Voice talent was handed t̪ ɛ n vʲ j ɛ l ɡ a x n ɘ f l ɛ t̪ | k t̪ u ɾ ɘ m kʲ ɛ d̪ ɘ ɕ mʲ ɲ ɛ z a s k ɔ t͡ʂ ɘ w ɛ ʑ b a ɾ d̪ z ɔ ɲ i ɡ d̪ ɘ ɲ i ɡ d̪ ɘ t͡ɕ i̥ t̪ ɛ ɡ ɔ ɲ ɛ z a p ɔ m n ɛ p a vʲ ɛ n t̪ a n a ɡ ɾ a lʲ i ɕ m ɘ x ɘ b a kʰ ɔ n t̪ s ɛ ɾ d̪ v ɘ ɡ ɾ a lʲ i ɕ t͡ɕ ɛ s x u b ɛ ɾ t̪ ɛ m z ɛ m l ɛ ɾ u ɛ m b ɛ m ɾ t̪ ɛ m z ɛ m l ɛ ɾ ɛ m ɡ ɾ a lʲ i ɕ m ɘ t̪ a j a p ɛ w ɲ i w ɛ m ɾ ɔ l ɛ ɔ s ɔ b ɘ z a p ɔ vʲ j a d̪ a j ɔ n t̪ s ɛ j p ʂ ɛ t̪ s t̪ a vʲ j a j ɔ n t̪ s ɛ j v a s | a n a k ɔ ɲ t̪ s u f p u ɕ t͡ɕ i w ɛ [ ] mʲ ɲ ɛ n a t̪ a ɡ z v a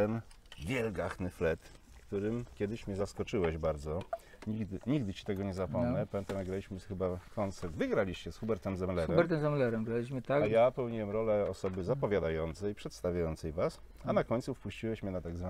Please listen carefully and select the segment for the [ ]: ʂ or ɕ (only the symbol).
ɕ